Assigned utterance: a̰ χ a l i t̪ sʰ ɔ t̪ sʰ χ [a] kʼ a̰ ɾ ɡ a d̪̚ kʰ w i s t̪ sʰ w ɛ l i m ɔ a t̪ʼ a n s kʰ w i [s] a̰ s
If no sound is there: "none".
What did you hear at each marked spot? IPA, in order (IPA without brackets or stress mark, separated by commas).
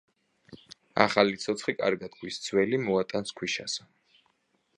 i, ʃ